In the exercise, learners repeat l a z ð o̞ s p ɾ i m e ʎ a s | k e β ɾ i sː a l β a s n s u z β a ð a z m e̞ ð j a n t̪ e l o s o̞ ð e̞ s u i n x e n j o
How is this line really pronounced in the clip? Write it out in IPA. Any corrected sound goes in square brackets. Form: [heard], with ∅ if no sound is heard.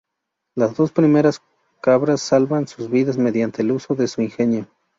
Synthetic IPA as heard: l a z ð o̞ s p ɾ i m e [ɾ] a s | k [a] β ɾ [a] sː a l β a [∅] n s u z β [i] ð a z m e̞ ð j a n t̪ e l [u] s o̞ ð e̞ s u i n x e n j o